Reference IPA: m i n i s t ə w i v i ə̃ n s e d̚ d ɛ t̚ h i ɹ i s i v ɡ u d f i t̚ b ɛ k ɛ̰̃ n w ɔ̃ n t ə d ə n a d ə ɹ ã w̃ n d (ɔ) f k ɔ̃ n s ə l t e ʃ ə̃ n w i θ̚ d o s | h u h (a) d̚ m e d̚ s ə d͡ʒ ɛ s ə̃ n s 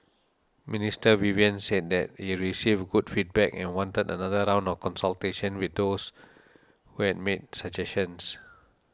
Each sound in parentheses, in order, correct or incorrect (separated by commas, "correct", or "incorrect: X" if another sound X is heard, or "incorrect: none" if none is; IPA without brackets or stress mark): correct, incorrect: ɛ